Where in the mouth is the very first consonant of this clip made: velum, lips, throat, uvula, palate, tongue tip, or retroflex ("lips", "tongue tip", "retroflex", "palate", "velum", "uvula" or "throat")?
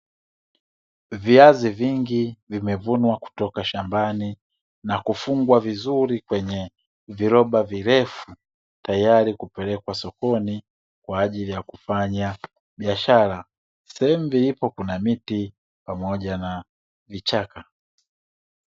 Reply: lips